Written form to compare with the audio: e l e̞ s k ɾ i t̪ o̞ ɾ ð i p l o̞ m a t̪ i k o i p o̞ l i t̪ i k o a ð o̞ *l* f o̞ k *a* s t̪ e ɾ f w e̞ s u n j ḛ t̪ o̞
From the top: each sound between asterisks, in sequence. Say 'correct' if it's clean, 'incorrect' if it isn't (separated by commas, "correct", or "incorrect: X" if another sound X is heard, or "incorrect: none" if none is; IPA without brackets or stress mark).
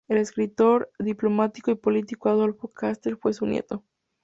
correct, correct